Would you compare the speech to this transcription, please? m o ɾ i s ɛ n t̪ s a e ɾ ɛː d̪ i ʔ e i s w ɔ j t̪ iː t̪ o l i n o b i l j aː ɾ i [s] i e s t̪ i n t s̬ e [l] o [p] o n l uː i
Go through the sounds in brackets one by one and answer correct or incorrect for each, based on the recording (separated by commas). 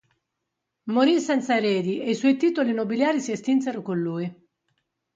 correct, incorrect, incorrect